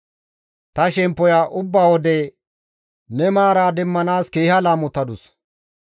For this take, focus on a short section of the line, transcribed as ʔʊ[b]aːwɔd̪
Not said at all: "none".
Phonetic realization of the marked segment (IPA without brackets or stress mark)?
bː